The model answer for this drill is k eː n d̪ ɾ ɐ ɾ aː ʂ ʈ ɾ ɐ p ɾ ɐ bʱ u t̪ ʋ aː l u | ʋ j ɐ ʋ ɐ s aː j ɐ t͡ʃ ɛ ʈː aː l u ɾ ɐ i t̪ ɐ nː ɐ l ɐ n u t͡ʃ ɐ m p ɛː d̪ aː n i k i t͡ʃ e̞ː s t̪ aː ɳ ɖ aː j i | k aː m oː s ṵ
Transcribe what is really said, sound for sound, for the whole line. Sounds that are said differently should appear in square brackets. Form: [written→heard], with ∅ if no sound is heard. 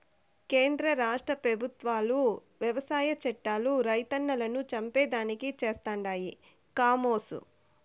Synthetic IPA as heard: k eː n d̪ ɾ ɐ ɾ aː ʂ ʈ ɾ ɐ p ɾ ɐ bʱ u t̪ ʋ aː l u | ʋ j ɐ ʋ ɐ s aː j ɐ t͡ʃ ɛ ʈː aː l u ɾ ɐ [i→j] t̪ ɐ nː ɐ l ɐ n u t͡ʃ ɐ m p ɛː d̪ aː n i k i t͡ʃ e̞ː s t̪ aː ɳ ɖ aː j i | k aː m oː s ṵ